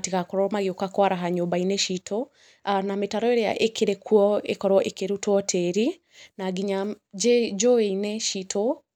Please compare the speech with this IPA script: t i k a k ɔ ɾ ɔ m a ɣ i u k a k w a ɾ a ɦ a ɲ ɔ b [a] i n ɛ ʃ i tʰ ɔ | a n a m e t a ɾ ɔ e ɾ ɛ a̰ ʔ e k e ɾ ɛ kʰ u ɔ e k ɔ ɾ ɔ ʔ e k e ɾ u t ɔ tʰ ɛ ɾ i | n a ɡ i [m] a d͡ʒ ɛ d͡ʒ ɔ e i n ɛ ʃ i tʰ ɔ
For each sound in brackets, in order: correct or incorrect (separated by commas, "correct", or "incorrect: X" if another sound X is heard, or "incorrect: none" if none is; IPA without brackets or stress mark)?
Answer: correct, incorrect: ɲ